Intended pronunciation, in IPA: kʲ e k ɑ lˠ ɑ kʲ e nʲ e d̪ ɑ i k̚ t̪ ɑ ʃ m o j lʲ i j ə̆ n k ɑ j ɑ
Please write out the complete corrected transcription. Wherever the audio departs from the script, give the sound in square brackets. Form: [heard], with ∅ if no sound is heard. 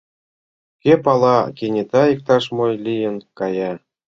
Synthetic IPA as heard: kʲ e [p] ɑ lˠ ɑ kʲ e nʲ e [t̪] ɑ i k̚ t̪ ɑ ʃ m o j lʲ i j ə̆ n k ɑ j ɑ